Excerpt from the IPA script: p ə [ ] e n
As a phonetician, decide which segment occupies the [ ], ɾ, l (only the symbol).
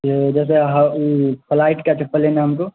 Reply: l